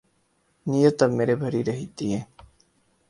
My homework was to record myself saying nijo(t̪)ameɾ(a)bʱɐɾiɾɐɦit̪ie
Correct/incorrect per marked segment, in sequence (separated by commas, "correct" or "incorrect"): correct, incorrect